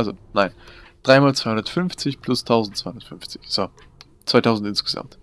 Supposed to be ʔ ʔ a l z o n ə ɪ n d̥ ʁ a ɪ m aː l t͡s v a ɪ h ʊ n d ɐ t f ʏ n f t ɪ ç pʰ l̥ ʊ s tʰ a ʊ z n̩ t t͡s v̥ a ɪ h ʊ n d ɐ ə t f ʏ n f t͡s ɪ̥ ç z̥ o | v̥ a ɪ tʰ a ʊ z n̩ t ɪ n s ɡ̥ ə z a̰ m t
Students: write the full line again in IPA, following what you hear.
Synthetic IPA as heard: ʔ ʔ a l z o n a ɪ n d̥ ʁ a ɪ m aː l t͡s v a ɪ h ʊ n d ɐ t f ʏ n f t͡s ɪ ç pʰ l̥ ʊ s tʰ a ʊ z n̩ t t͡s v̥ a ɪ h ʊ n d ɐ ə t f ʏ n f t͡s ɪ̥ ç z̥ o | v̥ a ɪ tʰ a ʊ z n̩ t ɪ n s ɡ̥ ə z a̰ m t